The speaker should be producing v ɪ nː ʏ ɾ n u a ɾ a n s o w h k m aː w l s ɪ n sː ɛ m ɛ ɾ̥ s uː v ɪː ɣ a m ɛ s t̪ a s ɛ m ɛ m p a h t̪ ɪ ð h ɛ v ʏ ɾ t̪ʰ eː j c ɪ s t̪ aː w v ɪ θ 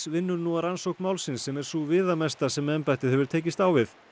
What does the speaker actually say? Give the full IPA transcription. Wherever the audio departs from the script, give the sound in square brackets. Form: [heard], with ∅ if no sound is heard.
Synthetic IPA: v ɪ nː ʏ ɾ n u a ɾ a n s o w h k m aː w l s ɪ n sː ɛ m ɛ ɾ̥ s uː v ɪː [ð] a m ɛ s t̪ a s ɛ m ɛ m p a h t̪ ɪ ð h ɛ v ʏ ɾ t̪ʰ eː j c ɪ s t̪ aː w v ɪ θ